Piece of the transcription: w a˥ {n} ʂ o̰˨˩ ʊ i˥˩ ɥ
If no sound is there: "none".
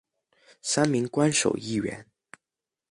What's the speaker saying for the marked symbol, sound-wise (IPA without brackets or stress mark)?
n